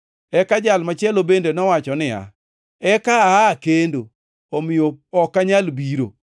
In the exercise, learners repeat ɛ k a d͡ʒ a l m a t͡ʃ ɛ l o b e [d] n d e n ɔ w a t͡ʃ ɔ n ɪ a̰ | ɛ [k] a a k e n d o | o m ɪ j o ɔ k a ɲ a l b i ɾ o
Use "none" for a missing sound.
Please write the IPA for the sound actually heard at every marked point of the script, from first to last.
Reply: none, k

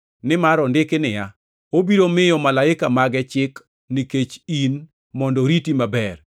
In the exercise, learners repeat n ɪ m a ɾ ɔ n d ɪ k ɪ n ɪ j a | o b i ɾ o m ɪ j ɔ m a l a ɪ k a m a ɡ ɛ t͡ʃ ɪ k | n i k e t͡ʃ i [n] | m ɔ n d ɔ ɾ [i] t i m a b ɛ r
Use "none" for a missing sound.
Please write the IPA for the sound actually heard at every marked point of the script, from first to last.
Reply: n, i

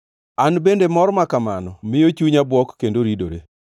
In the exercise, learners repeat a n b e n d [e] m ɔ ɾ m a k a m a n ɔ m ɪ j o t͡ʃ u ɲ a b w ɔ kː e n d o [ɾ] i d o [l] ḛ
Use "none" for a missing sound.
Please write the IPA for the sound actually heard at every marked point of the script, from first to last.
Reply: e, ɾ, ɾ

